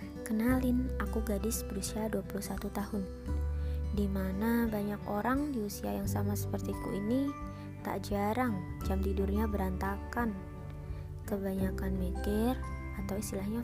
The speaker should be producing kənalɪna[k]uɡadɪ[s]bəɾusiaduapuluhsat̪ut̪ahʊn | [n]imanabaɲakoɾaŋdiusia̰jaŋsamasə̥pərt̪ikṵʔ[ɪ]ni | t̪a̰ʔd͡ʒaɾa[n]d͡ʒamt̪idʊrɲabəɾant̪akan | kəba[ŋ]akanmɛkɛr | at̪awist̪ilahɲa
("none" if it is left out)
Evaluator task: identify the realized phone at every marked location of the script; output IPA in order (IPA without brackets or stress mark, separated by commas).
k, s, d, i, ŋ, ɲ